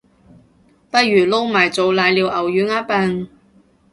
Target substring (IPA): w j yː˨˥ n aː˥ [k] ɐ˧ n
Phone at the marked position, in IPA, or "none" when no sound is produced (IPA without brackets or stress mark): p